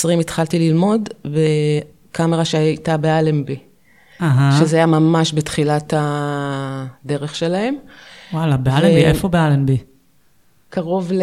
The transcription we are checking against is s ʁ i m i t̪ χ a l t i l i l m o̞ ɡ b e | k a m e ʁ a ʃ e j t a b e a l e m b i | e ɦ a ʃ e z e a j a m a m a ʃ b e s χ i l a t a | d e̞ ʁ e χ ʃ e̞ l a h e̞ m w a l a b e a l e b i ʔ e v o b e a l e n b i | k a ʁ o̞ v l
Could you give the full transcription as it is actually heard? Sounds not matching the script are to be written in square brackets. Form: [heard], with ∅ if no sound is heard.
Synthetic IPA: s ʁ i m i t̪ χ a l t i l i l m o̞ [d] b e | k a m e ʁ a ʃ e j t a b e a l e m b i | [a] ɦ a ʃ e z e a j a m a m a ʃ b e [t] χ i l a t a | d e̞ ʁ e χ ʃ e̞ l a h e̞ m w a l a b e a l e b i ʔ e [f] o b e a l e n b i | k a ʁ o̞ v l